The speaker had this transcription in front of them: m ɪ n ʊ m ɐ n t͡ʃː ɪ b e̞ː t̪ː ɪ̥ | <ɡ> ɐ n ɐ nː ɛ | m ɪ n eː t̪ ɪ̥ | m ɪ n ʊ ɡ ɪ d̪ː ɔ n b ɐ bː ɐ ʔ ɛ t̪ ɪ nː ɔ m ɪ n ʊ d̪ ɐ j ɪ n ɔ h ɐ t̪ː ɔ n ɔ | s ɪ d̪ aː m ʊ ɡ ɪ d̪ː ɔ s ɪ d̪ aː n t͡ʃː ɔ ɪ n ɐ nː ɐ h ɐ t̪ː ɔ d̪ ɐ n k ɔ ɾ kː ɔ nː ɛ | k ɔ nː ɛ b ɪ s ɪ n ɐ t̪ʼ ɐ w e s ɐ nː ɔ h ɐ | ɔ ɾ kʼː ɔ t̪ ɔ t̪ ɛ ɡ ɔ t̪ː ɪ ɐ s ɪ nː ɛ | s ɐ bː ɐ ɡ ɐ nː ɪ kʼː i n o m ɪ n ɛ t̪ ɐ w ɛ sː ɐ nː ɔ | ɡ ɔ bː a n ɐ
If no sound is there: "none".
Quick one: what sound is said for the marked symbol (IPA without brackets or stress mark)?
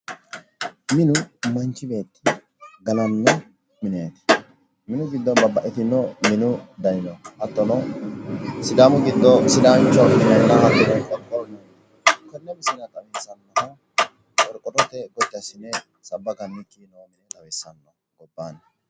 ɡ